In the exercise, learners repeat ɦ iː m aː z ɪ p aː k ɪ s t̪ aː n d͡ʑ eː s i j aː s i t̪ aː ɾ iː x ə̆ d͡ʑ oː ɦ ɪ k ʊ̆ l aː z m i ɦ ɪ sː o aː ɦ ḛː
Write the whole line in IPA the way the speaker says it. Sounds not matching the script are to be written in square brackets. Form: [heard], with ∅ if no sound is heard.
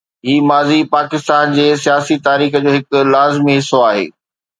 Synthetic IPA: ɦ iː m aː z [i] p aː k ɪ s t̪ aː n d͡ʑ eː s i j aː s i t̪ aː ɾ iː x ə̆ d͡ʑ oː ɦ ɪ k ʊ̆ l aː z m i ɦ ɪ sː o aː ɦ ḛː